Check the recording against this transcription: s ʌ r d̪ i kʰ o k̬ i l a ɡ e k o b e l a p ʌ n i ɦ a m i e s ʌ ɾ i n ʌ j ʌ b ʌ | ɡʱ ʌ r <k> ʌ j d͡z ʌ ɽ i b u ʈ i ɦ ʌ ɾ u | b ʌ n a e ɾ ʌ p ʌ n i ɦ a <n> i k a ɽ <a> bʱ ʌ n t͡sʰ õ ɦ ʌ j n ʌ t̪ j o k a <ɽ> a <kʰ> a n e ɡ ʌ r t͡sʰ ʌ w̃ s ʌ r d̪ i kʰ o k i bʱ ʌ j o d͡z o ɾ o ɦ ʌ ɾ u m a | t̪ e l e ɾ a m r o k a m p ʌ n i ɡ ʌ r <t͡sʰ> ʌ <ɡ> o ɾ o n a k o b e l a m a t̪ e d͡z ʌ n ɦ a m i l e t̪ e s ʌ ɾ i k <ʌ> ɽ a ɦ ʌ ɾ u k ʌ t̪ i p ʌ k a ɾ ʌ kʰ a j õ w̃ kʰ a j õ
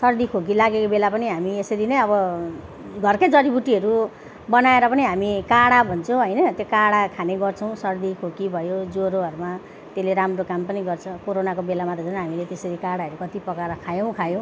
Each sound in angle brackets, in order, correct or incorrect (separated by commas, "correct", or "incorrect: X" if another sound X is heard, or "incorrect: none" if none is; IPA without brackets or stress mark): correct, incorrect: m, correct, correct, correct, correct, incorrect: k, incorrect: a